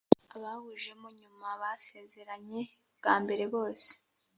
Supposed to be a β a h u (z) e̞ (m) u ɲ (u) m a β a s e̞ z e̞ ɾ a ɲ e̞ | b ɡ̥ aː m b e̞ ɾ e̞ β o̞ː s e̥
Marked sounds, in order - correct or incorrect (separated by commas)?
incorrect, correct, correct